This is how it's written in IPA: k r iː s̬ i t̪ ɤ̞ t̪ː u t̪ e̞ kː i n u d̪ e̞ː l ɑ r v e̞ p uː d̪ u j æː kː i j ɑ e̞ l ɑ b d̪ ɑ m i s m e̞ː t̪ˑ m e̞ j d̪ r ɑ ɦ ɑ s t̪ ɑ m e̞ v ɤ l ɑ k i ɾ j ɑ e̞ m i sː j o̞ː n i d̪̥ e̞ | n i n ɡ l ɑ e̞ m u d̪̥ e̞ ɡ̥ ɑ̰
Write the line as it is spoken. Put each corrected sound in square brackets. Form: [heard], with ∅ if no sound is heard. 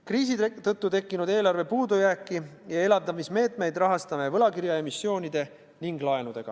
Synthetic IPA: k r iː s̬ i t̪ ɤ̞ t̪ː u t̪ e̞ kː i n u d̪ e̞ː l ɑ r v e̞ p uː d̪ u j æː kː i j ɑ e̞ l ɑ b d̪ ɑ m i s m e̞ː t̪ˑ m e̞ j d̪ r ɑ ɦ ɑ s t̪ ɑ m e̞ v ɤ l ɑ k i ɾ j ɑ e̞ m i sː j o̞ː n i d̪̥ e̞ | n i [ŋ] ɡ l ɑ e̞ [n] u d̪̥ e̞ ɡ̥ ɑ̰